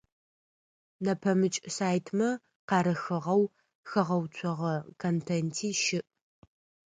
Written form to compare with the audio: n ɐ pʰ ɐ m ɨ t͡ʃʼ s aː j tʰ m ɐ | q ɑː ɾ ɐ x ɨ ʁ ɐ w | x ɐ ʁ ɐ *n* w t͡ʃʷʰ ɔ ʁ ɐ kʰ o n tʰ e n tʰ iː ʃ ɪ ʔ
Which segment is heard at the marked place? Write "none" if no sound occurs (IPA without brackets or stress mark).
none